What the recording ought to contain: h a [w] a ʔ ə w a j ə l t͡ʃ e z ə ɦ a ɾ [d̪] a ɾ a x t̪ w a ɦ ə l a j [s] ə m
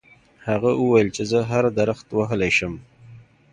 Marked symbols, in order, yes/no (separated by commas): no, yes, no